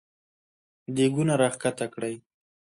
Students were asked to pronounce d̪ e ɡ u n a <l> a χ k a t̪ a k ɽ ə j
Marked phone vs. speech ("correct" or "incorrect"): incorrect